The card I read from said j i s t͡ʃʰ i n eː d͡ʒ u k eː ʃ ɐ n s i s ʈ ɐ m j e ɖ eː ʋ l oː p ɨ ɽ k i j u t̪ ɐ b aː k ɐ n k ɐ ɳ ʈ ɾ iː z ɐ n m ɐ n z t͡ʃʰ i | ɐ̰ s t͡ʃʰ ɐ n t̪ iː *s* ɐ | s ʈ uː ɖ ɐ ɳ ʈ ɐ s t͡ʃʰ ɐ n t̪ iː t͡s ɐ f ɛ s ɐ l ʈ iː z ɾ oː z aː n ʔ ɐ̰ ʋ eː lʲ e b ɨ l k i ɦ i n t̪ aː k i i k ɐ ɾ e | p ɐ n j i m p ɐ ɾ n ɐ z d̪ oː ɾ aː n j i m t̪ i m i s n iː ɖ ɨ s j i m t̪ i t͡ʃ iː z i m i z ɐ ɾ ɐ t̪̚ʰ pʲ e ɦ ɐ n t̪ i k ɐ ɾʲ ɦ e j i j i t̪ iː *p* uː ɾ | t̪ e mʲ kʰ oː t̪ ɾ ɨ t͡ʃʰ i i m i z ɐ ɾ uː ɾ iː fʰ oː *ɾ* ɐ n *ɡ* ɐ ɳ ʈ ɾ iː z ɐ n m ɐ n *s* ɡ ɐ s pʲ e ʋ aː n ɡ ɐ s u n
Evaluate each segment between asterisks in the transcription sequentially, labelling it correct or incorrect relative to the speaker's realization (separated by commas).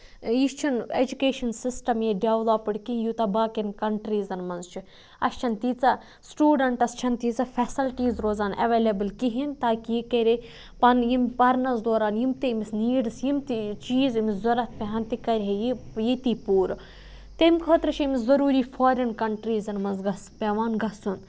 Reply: incorrect, correct, correct, incorrect, incorrect